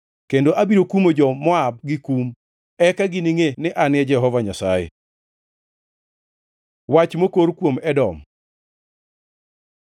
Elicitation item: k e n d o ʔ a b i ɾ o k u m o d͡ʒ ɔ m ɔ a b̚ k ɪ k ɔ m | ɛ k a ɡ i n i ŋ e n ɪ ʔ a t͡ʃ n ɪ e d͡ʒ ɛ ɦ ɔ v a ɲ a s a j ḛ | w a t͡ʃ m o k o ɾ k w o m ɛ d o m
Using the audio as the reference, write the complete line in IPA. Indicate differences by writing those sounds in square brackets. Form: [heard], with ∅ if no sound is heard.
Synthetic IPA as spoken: k e n d o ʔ a b i ɾ o k u m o d͡ʒ ɔ m ɔ a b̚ [ɡ] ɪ k [u] m | ɛ k a ɡ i n i ŋ e n ɪ ʔ a [∅] n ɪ [ɛ] d͡ʒ ɛ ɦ ɔ v a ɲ a s a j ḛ | w a t͡ʃ m o k o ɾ k w o m ɛ d [ɔ] m